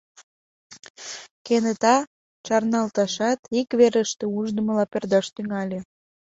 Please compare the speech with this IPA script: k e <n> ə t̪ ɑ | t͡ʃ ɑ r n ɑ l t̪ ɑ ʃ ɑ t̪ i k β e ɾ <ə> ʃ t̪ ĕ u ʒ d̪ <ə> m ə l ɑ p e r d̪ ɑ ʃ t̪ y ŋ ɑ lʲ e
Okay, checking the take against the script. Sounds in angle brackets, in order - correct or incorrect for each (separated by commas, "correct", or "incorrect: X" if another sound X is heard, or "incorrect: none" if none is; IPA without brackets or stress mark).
correct, correct, correct